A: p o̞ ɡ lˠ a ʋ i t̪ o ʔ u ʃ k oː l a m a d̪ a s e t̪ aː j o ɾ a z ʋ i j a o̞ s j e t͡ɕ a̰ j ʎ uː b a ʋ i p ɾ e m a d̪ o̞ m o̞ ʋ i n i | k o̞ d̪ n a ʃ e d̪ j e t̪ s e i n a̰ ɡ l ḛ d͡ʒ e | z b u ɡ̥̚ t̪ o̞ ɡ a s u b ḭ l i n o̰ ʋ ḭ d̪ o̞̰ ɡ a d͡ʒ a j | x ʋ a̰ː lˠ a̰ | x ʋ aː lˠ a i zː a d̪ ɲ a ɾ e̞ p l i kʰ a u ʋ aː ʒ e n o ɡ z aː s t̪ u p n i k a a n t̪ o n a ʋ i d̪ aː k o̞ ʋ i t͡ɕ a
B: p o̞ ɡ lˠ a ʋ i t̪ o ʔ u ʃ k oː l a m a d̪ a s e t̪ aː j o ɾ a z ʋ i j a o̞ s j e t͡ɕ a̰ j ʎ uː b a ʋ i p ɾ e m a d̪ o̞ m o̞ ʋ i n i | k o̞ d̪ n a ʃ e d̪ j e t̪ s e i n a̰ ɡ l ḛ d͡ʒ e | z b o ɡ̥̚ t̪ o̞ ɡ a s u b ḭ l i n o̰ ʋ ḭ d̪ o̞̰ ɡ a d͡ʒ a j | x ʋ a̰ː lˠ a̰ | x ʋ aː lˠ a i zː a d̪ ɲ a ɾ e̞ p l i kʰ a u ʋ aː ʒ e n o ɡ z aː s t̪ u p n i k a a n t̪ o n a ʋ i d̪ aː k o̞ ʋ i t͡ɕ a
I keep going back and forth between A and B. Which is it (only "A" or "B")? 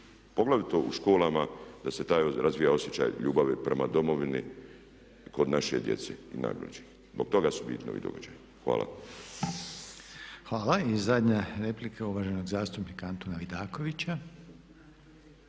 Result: B